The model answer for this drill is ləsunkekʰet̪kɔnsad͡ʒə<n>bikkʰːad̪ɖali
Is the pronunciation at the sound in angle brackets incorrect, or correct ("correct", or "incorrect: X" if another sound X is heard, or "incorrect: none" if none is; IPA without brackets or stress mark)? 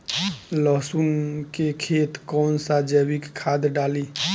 incorrect: none